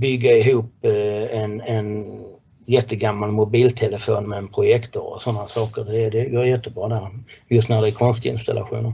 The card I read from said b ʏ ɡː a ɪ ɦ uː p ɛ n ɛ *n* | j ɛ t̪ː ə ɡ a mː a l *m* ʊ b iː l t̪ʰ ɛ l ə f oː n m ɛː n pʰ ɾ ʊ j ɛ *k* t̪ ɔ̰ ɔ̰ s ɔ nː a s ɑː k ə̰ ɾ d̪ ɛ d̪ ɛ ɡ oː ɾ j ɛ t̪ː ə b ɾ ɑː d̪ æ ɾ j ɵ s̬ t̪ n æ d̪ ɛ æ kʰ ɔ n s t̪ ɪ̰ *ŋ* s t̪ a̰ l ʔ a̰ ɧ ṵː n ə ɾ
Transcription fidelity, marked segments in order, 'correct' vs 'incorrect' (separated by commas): correct, correct, correct, incorrect